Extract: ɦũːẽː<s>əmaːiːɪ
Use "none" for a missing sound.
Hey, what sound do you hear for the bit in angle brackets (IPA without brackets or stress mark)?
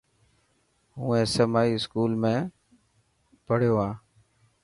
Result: s